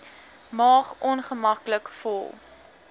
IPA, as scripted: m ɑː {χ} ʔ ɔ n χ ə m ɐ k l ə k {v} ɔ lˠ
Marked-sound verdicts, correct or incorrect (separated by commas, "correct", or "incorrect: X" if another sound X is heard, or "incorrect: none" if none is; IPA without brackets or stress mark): correct, incorrect: f